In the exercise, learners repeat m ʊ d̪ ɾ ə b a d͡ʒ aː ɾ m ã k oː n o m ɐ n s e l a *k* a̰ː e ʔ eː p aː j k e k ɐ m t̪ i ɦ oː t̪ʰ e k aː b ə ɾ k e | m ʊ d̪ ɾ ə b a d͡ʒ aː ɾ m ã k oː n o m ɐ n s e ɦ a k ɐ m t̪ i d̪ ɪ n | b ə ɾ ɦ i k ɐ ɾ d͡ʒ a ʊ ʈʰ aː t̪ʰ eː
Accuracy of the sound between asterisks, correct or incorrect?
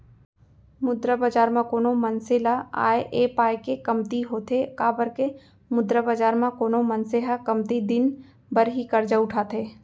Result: incorrect